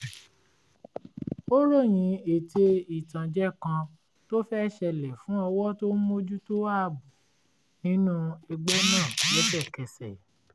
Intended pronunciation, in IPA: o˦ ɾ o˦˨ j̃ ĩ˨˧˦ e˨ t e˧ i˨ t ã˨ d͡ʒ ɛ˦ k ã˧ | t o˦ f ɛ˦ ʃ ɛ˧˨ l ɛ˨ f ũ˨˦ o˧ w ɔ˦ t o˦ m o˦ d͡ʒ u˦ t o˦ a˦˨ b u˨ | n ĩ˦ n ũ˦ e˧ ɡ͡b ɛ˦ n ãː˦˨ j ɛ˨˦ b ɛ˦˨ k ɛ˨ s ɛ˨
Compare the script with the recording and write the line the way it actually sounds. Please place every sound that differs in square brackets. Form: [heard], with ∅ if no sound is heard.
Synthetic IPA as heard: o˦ ɾ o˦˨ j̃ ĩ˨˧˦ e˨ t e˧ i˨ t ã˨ d͡ʒ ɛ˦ k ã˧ | t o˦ f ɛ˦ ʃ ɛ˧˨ l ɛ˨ f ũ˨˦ [ɔ˧] w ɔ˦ t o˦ m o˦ d͡ʒ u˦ t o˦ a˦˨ b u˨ | n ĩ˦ n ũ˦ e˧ ɡ͡b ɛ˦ n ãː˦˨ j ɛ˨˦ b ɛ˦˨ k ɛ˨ s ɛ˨